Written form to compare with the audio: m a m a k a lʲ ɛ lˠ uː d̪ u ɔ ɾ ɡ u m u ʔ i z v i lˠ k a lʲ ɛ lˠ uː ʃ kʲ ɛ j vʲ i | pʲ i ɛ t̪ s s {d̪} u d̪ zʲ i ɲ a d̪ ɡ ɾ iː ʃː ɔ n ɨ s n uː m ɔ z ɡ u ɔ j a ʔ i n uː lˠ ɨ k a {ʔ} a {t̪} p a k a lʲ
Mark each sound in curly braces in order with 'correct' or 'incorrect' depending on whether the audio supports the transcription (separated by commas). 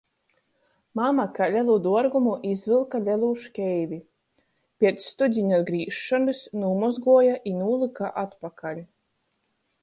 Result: incorrect, correct, correct